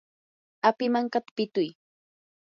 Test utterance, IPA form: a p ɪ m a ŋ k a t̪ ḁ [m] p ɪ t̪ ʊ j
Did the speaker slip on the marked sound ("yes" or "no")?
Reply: yes